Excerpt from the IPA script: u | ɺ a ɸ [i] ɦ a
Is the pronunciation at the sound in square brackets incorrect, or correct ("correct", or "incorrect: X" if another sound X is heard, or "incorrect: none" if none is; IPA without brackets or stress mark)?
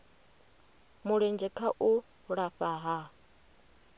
incorrect: a